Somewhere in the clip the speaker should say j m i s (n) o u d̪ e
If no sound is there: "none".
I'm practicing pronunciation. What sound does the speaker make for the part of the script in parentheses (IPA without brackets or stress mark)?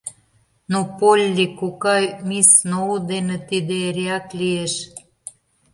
n